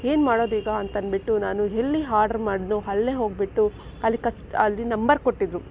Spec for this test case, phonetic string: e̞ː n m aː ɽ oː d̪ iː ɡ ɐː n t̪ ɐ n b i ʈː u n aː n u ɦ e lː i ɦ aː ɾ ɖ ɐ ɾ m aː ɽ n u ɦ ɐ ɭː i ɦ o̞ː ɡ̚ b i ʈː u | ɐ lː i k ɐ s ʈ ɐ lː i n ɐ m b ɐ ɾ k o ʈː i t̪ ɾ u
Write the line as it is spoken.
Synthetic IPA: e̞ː n m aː ɽ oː d̪ iː ɡ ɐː n t̪ ɐ n b i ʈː u n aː n u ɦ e lː i ɦ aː ɾ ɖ ɐ ɾ m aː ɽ n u ɦ ɐ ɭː e ɦ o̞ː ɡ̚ b i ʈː u | ɐ lː i k ɐ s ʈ ɐ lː i n ɐ m b ɐ ɾ k o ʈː i d̪ ɾ u